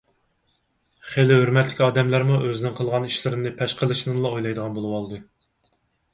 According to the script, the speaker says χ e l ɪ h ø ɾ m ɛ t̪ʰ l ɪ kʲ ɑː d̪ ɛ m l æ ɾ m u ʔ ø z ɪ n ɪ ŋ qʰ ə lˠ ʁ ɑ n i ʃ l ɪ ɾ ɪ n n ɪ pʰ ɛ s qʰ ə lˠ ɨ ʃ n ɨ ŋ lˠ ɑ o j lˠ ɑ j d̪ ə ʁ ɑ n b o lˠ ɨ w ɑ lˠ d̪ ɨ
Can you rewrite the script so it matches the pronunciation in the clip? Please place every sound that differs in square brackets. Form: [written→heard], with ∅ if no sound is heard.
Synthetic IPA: χ e l ɪ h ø ɾ m ɛ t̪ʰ l ɪ kʲ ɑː d̪ ɛ m l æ ɾ m u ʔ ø z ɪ n ɪ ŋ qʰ ə lˠ ʁ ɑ n i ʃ l ɪ ɾ ɪ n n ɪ pʰ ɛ [s→ʃ] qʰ ə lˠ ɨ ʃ n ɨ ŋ lˠ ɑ o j lˠ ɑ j d̪ ə ʁ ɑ n b o lˠ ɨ w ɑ lˠ d̪ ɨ